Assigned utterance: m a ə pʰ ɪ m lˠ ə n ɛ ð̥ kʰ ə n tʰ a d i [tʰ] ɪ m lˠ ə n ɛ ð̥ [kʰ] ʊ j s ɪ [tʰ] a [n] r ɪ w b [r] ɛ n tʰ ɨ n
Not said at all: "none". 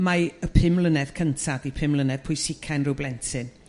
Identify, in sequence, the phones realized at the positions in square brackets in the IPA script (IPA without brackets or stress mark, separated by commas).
pʰ, pʰ, kʰ, n, l